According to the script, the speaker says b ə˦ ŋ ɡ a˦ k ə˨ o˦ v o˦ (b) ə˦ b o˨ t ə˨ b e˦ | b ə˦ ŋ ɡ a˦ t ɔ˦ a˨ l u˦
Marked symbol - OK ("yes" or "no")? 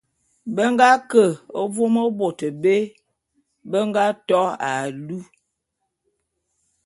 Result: no